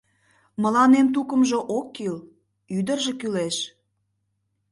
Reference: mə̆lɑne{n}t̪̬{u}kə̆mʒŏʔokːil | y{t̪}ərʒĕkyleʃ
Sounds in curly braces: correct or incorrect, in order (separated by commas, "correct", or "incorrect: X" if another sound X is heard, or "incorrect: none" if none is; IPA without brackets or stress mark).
incorrect: m, correct, incorrect: d̪